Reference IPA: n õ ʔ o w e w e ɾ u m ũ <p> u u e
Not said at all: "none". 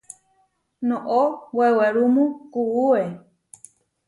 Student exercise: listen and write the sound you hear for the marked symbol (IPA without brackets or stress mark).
k